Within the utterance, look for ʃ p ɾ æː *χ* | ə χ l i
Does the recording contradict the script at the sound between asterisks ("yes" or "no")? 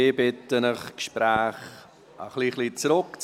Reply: no